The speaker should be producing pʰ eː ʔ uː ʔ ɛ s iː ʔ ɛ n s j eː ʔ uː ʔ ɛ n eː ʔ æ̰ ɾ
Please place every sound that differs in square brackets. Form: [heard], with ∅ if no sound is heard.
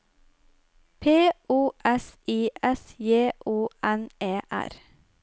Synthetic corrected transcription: pʰ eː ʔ uː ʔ ɛ s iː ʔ ɛ [∅] s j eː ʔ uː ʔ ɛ n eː ʔ æ̰ ɾ